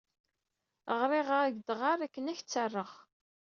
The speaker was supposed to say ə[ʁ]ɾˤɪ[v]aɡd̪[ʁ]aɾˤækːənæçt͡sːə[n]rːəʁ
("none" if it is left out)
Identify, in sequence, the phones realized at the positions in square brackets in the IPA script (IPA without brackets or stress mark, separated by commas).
ʁ, ʁ, ʁ, none